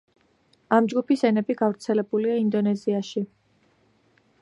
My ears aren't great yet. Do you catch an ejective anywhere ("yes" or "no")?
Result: no